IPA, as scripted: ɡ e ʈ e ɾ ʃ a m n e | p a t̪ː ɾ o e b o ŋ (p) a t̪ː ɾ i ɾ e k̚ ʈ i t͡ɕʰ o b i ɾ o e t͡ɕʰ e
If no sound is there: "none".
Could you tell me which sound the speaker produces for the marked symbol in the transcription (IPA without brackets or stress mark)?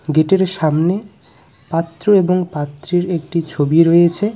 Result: p